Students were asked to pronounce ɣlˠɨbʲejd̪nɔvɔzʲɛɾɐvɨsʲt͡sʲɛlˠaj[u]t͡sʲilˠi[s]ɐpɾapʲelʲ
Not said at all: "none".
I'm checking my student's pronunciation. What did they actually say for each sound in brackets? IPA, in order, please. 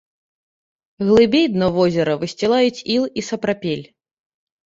u, s

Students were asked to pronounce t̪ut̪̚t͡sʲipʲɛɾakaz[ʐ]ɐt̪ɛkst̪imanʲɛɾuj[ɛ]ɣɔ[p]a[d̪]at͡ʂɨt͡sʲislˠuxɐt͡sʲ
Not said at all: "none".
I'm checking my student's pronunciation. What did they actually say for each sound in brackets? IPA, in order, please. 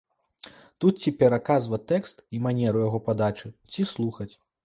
v, a, p, d̪

